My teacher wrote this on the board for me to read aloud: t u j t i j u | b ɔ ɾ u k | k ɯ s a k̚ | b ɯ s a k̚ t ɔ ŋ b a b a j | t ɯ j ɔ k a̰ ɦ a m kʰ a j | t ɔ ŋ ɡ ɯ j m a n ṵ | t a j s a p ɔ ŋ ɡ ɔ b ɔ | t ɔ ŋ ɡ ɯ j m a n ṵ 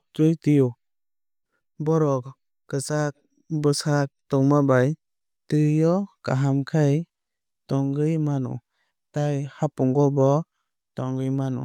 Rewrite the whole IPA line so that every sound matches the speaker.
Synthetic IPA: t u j t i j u | b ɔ ɾ ɔ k | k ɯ s a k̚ | b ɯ s a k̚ t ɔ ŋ m a b a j | t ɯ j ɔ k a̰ ɦ a m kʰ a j | t ɔ ŋ ɡ ɯ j m a n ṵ | t a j h a p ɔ ŋ ɡ ɔ b ɔ | t ɔ ŋ ɡ ɯ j m a n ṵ